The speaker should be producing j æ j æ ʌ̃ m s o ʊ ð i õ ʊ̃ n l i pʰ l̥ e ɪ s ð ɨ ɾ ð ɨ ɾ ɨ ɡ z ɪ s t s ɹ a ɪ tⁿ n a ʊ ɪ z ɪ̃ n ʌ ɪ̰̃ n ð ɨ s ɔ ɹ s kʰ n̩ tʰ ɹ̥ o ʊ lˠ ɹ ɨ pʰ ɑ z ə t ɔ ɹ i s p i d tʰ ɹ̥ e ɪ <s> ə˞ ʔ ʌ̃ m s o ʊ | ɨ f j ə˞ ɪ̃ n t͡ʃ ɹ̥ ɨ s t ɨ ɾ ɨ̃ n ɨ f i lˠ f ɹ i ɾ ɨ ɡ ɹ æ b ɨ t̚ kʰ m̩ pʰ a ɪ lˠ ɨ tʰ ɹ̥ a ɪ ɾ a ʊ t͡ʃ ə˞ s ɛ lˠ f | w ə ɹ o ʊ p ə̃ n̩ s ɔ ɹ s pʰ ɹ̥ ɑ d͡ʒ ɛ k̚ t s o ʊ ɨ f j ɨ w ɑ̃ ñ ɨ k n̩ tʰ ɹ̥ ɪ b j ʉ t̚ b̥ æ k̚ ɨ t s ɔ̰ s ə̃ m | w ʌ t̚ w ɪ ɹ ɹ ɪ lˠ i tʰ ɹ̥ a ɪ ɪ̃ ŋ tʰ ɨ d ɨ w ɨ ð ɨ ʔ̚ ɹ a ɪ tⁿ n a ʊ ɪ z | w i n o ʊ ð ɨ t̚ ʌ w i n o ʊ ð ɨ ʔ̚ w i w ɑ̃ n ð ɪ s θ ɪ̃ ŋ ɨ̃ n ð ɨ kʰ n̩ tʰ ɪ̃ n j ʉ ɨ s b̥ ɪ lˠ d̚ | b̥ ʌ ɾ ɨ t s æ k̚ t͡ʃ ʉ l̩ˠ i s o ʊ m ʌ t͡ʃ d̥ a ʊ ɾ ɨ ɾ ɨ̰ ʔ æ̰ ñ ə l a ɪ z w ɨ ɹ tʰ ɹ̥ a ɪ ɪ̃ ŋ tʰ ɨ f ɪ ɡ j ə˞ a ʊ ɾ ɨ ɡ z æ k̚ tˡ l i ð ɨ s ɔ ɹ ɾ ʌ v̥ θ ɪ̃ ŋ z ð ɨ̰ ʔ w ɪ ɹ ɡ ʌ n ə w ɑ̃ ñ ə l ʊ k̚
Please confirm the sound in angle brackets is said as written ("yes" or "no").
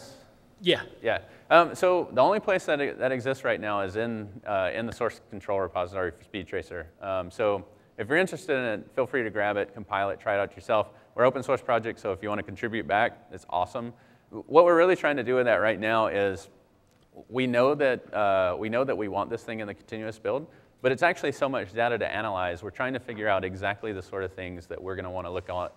yes